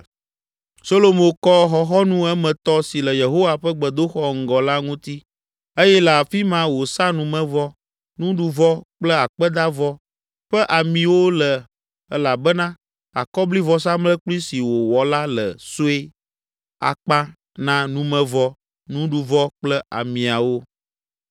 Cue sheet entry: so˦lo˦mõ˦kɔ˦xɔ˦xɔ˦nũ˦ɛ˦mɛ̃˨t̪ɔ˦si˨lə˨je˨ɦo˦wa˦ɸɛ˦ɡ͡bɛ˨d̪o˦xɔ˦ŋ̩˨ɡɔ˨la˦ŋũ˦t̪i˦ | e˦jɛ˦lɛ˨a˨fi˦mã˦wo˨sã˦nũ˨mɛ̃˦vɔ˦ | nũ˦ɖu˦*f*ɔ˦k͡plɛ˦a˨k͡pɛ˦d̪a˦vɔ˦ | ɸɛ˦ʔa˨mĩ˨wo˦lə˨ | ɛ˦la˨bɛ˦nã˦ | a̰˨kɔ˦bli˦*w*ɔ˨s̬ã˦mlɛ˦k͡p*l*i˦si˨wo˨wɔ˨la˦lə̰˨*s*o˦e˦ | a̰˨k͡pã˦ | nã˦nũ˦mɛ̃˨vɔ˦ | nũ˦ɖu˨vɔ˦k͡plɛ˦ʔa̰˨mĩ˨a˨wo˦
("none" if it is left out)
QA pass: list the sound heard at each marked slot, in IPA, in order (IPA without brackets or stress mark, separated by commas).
v, v, l, s